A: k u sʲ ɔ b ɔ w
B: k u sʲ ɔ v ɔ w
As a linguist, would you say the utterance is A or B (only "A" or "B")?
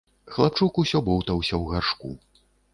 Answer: A